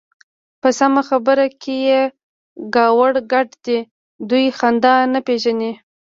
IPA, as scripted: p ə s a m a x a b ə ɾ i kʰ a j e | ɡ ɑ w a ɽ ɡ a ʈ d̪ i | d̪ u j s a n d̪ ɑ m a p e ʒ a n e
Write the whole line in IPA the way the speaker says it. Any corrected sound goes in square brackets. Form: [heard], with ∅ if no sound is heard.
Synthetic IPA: p ə s a m a x a b ə ɾ [a] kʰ [e] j e | ɡ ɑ w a ɽ ɡ a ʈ d̪ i | d̪ u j [x] a n d̪ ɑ [n] a p e ʒ a n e